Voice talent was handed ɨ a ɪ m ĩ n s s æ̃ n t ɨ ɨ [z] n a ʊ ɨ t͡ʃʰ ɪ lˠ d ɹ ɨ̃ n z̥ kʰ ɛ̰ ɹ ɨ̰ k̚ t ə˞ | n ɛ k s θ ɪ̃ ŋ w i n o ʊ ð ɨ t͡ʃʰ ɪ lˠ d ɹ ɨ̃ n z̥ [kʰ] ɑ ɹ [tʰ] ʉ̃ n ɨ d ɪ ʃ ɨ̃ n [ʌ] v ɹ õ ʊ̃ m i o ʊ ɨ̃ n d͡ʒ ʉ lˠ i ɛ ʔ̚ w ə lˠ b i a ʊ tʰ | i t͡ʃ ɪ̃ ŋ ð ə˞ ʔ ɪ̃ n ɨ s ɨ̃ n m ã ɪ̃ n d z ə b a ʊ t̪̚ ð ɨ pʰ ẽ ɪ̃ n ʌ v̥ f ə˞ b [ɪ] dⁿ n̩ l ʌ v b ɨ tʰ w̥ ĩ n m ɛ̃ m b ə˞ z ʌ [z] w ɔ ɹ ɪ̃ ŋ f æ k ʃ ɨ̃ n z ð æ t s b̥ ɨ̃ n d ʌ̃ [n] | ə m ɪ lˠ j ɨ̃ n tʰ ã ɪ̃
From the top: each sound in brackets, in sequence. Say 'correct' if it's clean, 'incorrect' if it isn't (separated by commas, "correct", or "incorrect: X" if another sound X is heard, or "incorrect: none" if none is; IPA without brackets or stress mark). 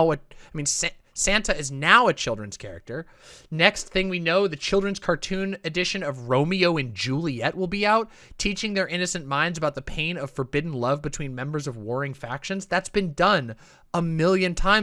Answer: correct, correct, correct, correct, correct, incorrect: v, correct